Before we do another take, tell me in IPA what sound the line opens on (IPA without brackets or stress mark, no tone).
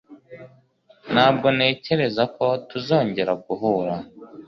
n